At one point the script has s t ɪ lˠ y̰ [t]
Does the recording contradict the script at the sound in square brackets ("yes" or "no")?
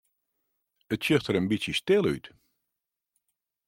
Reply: no